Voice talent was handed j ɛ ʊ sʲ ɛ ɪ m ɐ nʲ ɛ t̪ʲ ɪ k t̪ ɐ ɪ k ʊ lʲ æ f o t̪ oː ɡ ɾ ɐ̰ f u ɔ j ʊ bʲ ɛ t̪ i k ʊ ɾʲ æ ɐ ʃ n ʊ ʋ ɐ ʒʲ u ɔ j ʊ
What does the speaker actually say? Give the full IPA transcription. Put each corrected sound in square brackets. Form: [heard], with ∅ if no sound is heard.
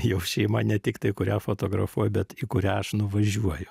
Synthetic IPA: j ɛ ʊ [ʃʲ] ɛ ɪ m ɐ nʲ ɛ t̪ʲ ɪ k t̪ ɐ ɪ k ʊ [ɾʲ] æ f o t̪ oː ɡ ɾ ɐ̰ f u ɔ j ʊ bʲ ɛ t̪ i k ʊ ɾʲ æ ɐ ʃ n ʊ ʋ ɐ ʒʲ u ɔ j ʊ